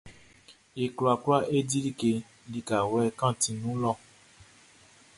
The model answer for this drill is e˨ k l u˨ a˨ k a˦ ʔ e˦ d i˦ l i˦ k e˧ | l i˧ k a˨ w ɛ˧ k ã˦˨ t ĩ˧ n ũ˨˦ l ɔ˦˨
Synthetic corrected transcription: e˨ k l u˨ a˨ k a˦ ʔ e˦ d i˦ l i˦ k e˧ | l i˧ k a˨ w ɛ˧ k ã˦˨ t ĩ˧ n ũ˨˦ l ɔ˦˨